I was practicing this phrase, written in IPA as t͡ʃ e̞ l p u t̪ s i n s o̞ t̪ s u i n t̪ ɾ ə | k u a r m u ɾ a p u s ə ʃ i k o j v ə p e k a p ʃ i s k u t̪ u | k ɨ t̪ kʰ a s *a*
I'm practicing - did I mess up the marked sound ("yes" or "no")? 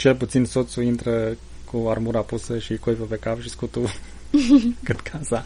no